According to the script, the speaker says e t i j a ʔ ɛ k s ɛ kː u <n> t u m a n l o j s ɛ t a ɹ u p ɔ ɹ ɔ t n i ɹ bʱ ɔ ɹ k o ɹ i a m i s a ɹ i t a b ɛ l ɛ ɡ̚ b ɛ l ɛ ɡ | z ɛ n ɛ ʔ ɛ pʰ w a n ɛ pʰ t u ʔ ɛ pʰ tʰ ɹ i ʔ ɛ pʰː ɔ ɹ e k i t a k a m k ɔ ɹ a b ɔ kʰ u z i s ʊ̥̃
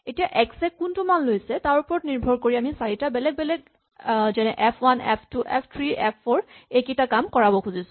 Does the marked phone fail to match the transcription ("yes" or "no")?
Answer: no